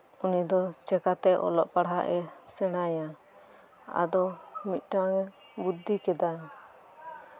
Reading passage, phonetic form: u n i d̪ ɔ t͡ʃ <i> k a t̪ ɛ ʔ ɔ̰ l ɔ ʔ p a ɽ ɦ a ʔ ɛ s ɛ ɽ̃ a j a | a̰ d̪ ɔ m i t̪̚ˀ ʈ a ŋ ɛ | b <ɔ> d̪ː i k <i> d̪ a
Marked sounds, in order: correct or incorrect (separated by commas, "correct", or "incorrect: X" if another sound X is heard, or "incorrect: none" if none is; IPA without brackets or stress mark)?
incorrect: ɛ, incorrect: u, incorrect: ɛ